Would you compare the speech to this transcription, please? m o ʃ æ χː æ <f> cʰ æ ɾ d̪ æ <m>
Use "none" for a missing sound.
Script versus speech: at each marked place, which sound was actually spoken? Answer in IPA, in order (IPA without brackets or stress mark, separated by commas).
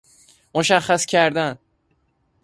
s, n